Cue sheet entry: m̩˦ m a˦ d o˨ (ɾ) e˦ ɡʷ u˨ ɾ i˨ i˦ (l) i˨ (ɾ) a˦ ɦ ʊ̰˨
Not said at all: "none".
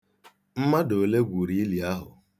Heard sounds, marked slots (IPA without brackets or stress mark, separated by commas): l, l, none